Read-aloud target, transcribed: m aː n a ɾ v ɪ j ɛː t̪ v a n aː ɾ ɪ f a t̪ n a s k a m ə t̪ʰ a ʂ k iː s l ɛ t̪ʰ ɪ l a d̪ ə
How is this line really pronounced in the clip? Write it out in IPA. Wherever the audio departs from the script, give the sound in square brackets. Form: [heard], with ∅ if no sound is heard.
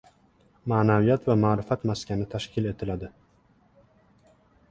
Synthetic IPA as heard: m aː n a [∅] v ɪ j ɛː t̪ v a [m] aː ɾ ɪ f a t̪ [m] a s k a [n] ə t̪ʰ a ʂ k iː [∅] l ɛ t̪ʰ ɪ l a d̪ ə